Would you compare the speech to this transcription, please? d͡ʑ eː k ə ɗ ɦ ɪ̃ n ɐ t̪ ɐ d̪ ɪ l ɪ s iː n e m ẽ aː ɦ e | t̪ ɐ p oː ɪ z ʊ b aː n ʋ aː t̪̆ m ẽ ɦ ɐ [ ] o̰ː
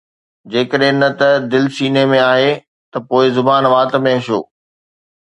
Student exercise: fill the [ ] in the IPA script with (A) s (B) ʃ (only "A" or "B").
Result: B